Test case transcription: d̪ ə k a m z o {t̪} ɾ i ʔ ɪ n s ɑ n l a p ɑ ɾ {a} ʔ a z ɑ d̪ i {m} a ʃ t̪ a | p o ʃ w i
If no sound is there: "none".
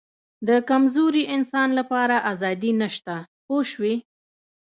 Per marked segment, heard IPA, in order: none, a, n

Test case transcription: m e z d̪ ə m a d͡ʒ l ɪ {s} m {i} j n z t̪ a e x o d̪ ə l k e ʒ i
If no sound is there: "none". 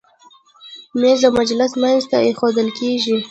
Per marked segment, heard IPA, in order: s, a

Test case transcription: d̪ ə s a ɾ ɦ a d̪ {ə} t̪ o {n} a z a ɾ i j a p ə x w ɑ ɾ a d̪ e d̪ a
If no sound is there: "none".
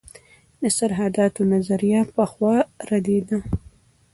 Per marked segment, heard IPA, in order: ɑ, n

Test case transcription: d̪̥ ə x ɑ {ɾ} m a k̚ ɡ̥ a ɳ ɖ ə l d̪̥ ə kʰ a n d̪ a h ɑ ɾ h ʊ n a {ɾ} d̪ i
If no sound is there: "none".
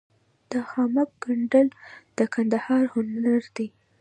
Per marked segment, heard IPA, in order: none, ɾ

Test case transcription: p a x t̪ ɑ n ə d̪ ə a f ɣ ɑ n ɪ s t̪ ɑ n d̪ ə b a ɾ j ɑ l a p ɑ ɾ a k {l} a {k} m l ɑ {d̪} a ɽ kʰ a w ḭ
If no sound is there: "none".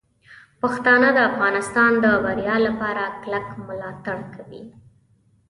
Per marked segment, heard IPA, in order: l, k, t̪

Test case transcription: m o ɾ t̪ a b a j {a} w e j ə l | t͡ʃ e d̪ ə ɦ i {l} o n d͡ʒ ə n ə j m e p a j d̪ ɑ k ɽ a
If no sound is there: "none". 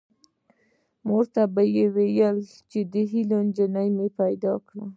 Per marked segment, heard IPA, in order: e, l

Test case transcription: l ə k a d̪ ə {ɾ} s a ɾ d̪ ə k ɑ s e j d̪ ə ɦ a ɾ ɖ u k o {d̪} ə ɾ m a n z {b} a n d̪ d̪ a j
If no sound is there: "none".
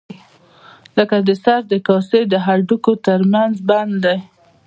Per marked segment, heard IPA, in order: none, t̪, b

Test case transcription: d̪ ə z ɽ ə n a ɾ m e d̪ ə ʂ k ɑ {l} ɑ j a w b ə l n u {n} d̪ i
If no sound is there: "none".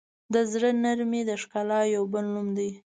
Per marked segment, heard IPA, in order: l, m

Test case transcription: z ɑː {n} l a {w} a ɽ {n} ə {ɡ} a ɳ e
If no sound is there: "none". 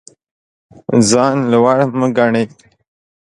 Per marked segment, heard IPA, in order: n, w, m, ɡ

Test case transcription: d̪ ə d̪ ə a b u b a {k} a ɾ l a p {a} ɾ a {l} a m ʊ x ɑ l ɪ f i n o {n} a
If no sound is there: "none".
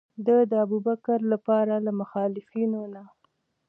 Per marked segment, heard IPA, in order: k, ɑ, l, n

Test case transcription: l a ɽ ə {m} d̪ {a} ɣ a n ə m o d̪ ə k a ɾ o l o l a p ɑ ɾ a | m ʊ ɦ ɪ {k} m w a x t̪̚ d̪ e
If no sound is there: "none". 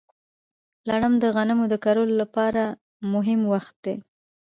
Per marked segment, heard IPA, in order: m, ə, none

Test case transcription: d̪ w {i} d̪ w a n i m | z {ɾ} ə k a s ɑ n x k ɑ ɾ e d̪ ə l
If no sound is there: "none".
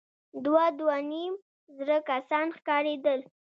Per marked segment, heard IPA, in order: a, ɾ

